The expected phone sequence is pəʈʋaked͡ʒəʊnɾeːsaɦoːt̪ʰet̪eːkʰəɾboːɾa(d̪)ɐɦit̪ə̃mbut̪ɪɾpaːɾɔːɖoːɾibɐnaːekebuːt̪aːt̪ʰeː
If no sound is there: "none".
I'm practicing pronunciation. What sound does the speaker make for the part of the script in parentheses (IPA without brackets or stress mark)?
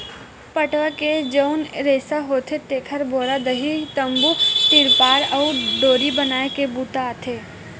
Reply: d̪